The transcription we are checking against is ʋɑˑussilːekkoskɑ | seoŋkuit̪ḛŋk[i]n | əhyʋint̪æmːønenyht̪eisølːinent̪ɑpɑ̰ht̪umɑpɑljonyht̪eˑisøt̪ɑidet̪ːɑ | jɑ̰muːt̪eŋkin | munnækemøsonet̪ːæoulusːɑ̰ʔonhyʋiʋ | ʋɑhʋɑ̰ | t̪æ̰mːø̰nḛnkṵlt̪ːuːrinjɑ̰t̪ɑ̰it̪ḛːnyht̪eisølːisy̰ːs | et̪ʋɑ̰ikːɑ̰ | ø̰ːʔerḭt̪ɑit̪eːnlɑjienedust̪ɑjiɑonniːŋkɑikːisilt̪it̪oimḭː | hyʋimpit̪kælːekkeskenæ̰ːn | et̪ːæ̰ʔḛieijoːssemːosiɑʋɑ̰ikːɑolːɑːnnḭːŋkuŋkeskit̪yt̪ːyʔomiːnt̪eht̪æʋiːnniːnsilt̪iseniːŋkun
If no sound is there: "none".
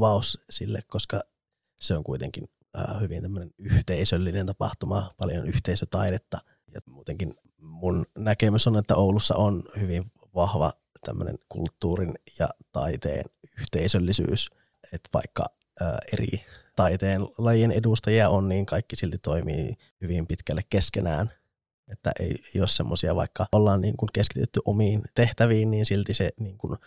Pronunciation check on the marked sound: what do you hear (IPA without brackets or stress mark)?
i